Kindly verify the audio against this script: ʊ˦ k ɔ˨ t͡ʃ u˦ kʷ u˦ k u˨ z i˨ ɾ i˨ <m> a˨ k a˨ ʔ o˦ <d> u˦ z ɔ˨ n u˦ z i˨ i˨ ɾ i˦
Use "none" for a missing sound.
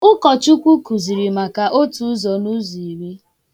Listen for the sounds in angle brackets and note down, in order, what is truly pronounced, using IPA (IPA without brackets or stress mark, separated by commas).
m, t